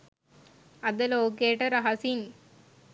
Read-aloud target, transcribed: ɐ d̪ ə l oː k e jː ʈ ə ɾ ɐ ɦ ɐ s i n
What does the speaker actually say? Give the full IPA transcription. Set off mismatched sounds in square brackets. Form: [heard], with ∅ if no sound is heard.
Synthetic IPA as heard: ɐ d̪ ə l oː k e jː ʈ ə ɾ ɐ ɦ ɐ s i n